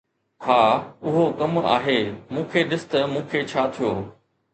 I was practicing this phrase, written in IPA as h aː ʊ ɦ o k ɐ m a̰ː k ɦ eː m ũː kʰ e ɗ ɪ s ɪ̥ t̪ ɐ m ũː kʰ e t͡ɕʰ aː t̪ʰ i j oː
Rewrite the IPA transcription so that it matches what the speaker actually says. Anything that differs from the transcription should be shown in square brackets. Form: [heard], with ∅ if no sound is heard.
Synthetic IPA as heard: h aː ʊ ɦ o k ɐ m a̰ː [∅] ɦ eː m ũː kʰ e ɗ ɪ s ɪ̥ t̪ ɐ m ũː kʰ e t͡ɕʰ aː t̪ʰ i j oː